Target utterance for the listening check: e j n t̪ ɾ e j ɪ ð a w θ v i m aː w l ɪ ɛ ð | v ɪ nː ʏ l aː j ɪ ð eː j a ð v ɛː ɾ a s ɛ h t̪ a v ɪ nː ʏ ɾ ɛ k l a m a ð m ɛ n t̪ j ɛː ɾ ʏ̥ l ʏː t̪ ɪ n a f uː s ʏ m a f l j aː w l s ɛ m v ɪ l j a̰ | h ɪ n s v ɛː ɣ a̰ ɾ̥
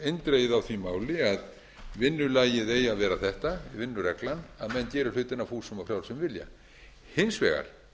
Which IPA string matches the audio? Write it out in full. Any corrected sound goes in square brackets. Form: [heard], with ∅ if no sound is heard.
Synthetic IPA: e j n t̪ ɾ e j ɪ ð a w θ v i m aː w l ɪ [a] ð | v ɪ nː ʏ l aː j ɪ ð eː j a ð v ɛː ɾ a [θ] ɛ h t̪ a v ɪ nː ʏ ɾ ɛ k l a [n] a ð m ɛ n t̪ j ɛː ɾ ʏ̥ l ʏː t̪ ɪ n a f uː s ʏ m a f [ɾ] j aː w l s ɛ m v ɪ l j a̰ | h ɪ n s v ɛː ɣ a̰ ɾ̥